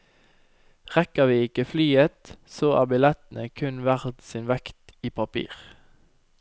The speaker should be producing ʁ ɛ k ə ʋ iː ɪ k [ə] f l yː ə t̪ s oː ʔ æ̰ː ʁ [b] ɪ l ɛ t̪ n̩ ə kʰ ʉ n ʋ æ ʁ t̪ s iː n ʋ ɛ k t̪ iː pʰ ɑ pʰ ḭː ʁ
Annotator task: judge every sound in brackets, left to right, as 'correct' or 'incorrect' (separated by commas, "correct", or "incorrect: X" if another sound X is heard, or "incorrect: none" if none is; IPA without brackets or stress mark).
correct, correct